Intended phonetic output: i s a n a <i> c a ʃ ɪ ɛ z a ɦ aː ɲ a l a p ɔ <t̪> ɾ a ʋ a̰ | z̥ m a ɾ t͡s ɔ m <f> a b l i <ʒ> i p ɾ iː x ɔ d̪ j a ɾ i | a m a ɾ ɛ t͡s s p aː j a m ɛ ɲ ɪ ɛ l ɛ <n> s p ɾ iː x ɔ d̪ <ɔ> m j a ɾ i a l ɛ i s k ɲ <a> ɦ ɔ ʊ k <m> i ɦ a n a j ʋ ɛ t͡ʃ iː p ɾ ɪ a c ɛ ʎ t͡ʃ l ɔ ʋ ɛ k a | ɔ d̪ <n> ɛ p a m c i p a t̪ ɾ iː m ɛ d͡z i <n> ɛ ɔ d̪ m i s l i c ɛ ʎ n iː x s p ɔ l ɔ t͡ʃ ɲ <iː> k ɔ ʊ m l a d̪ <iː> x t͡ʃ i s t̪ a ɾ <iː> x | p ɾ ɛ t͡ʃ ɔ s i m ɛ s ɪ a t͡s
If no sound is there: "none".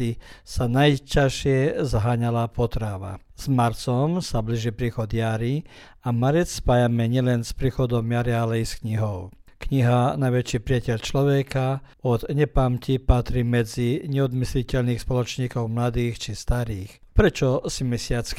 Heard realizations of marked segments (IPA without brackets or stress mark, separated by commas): j, t̪, s, ʒ, n, ɔ, i, ɲ, ɲ, ɲ, iː, iː, iː